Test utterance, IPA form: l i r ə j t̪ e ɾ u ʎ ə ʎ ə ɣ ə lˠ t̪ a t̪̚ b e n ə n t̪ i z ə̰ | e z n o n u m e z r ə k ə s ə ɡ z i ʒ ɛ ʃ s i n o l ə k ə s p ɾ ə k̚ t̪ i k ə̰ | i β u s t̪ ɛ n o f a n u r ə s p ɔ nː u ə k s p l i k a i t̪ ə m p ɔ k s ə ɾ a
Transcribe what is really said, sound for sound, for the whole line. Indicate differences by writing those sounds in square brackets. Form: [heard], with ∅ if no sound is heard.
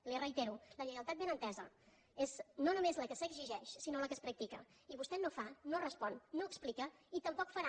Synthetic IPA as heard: l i r ə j t̪ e ɾ u [l] ə ʎ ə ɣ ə lˠ t̪ a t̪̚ b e n ə n t̪ [ɛ] z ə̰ | e z n o n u m e z [l] ə k ə s ə ɡ z i ʒ ɛ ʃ s i n o l ə k ə s p ɾ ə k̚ t̪ i k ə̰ | i β u s t̪ ɛ n o f a n [o] r ə s p ɔ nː [o] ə k s p l i k [ə] i t̪ ə m p ɔ k [f] ə ɾ a